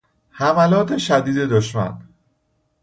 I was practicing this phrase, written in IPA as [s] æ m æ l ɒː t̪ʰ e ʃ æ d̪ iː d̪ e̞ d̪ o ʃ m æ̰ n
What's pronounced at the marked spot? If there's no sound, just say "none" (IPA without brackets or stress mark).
h